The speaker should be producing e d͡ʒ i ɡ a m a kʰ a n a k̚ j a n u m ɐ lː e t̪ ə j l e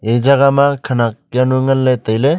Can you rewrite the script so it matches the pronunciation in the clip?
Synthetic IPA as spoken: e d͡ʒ a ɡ a m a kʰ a n a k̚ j a n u ŋ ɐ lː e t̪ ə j l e